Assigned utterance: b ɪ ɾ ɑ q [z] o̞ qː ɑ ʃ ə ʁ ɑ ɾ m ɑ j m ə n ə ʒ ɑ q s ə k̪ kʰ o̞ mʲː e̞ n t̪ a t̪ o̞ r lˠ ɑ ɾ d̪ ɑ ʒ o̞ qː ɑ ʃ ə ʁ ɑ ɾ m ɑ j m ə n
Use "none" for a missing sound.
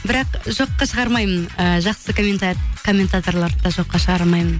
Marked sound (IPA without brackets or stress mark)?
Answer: ʒ